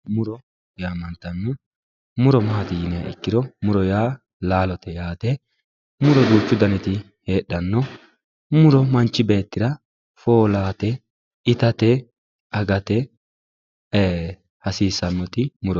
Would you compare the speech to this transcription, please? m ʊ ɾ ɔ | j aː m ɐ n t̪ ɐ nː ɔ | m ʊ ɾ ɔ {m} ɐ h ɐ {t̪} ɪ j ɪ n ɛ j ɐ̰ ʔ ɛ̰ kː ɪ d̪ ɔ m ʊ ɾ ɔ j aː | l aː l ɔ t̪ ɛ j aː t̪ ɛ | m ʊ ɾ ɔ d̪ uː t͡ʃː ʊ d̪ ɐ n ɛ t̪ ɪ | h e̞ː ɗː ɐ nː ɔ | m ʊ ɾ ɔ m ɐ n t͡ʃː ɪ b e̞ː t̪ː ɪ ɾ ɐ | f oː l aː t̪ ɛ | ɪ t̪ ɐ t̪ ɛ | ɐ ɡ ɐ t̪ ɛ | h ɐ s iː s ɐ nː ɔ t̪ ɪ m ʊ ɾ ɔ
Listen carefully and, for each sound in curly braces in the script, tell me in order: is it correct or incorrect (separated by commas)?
correct, correct